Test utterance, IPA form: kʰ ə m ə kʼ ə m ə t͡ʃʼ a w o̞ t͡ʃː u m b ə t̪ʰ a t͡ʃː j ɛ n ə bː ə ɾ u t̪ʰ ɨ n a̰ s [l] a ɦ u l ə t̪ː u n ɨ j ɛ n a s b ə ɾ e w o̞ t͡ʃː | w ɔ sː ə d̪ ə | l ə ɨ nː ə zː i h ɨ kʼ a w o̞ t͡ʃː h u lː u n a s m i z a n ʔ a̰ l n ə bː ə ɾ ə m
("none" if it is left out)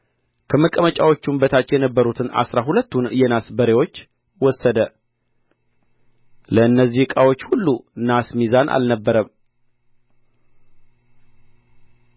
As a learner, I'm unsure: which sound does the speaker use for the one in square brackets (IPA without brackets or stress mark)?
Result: ɾ